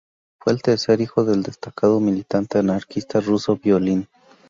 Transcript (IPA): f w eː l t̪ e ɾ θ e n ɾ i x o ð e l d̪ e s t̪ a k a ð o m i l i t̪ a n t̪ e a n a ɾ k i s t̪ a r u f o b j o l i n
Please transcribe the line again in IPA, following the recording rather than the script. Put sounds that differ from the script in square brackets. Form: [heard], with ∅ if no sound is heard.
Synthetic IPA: f w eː l t̪ e ɾ [s] e [∅] ɾ i x o ð e l d̪ e s t̪ a k a ð o m i l i t̪ a n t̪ e a n a ɾ k i s t̪ a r u [s] o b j o l i n